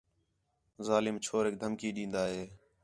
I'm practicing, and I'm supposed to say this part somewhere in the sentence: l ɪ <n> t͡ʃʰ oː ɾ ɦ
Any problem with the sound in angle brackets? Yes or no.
yes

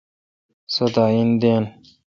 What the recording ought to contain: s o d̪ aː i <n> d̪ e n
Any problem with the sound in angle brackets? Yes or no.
no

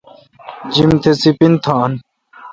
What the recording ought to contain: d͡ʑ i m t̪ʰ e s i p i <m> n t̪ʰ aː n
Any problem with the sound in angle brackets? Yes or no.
yes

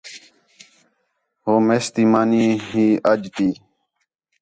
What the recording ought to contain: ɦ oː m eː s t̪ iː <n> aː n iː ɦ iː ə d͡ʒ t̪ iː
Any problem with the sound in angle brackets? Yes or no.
yes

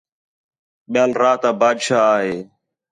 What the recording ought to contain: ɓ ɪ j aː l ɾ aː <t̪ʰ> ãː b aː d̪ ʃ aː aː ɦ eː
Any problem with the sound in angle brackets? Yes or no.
yes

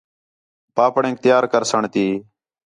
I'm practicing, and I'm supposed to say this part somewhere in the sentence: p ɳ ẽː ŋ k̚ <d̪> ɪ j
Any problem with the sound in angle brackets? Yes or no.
yes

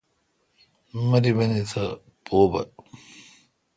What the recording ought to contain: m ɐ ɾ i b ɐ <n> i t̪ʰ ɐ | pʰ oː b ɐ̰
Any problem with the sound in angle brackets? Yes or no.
no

